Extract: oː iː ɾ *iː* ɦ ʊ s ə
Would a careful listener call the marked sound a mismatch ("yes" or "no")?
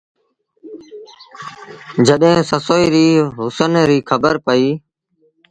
no